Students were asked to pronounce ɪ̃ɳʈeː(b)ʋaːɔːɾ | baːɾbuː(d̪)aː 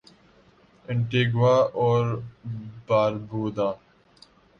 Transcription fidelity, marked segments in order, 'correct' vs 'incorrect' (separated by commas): incorrect, correct